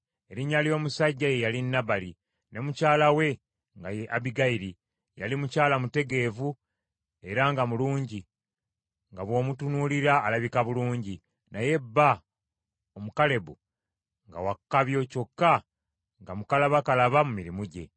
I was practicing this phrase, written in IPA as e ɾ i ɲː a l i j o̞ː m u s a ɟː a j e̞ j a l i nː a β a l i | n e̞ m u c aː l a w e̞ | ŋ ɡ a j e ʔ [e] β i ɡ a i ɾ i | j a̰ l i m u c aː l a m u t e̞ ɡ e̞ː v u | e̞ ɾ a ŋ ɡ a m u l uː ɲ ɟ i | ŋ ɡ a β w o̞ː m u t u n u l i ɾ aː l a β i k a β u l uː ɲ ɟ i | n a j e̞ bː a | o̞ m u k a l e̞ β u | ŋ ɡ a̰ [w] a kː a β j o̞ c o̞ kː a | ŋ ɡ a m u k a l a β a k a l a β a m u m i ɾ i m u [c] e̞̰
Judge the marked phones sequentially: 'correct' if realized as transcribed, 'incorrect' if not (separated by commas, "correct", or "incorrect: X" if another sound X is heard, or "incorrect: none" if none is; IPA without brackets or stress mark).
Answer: incorrect: a, correct, incorrect: ɟ